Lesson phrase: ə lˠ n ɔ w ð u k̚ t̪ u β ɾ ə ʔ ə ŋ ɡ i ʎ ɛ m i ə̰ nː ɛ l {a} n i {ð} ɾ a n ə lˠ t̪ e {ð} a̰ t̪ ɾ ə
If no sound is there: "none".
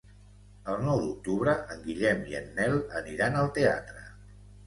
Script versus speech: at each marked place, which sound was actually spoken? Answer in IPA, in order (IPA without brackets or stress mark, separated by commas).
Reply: ə, none, none